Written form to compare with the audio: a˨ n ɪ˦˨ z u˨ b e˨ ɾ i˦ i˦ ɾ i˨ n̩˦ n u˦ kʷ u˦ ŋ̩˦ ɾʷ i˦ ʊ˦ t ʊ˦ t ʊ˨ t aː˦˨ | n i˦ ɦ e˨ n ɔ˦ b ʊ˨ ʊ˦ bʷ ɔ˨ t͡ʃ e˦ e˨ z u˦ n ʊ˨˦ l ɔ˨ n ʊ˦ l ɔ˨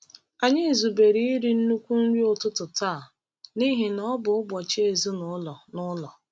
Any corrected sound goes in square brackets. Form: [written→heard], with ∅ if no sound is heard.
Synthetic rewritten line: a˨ [n→ɲ] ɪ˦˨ z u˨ b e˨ ɾ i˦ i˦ ɾ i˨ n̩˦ n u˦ kʷ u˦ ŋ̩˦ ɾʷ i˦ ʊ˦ t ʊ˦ t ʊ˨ t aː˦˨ | n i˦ ɦ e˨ n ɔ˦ b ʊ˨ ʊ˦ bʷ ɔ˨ t͡ʃ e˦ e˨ z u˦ n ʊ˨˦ l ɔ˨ n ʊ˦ l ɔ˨